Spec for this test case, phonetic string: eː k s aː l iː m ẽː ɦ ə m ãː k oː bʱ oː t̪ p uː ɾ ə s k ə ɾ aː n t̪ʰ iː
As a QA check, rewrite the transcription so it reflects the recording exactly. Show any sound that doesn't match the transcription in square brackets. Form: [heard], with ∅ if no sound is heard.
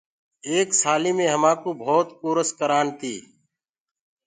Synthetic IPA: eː k s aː l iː m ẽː ɦ ə m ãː k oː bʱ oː t̪ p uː ɾ ə s k ə ɾ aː n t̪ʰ iː